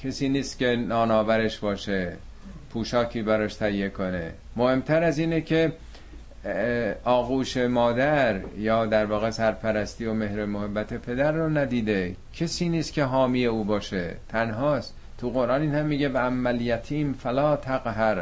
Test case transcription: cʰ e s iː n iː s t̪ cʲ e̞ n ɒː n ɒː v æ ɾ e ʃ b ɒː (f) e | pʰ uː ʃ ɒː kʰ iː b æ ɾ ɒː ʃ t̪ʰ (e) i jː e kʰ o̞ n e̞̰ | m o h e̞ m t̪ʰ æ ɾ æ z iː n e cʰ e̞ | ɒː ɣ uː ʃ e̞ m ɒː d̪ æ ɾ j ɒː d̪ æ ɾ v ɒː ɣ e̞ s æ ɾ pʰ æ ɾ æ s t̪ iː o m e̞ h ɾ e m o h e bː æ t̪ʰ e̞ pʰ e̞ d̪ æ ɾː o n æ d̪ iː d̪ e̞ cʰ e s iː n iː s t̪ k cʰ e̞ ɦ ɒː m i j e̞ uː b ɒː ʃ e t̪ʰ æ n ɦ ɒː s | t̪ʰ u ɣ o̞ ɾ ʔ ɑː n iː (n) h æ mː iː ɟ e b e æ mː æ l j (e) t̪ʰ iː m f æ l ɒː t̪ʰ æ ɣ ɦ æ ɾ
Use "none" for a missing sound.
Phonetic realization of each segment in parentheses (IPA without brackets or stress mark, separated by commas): ʃ, æ, n, æ